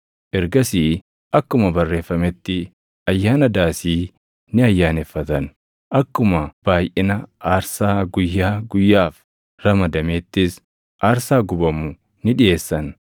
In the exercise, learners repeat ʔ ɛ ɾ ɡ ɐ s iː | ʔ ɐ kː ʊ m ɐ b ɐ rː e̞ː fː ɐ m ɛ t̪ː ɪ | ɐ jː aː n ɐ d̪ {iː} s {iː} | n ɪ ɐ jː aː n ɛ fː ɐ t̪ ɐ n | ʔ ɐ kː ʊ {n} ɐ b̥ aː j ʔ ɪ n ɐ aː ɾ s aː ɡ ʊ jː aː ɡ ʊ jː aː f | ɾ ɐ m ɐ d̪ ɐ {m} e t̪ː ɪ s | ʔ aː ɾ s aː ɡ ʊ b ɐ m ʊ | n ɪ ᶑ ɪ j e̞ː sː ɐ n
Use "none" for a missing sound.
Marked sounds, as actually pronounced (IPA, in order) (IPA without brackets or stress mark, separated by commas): aː, iː, m, m